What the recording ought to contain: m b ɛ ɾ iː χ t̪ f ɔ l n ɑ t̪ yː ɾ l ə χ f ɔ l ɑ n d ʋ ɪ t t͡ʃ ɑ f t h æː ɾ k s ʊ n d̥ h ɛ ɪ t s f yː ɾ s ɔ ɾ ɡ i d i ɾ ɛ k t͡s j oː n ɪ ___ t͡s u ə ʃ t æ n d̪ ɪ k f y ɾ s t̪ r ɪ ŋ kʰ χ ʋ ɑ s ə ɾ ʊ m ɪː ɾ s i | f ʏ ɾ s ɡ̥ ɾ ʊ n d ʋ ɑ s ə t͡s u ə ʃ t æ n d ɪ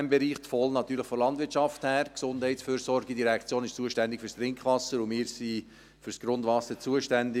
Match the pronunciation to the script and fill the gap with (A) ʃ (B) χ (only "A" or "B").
A